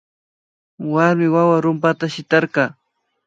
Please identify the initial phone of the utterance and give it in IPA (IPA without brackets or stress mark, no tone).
w